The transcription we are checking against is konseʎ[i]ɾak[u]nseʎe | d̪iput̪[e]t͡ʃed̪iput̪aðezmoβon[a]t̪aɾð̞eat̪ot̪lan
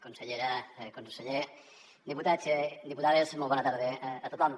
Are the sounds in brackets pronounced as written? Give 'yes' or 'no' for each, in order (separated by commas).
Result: no, no, no, yes